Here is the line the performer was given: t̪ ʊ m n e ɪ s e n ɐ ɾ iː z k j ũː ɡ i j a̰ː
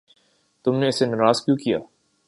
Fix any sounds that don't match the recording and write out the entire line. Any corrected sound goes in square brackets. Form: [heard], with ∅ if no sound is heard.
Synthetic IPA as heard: t̪ ʊ m n e ɪ s e n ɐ ɾ [aː] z k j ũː [k] i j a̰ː